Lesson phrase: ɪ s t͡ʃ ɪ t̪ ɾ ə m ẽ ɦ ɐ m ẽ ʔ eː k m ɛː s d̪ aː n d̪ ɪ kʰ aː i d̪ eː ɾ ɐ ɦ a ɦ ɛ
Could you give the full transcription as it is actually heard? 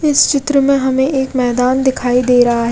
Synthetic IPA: ɪ s t͡ʃ ɪ t̪ ɾ ə m ẽ ɦ ɐ m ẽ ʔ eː k m ɛː d̪ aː n d̪ ɪ kʰ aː i d̪ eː ɾ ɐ ɦ a ɦ ɛ